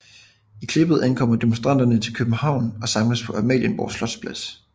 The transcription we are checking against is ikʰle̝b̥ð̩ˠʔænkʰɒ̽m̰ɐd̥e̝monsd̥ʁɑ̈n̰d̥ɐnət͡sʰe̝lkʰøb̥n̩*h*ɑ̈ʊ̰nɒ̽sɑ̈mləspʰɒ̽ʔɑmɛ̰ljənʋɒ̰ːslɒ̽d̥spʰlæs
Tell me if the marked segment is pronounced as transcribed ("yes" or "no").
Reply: yes